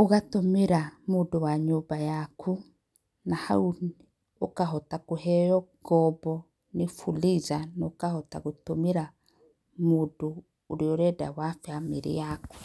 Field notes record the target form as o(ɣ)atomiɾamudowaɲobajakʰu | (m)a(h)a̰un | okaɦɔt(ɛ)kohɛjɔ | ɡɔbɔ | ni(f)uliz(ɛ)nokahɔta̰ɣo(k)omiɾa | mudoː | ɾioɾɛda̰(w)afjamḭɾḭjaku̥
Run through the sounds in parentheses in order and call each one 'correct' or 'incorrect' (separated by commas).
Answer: correct, incorrect, correct, incorrect, correct, incorrect, incorrect, correct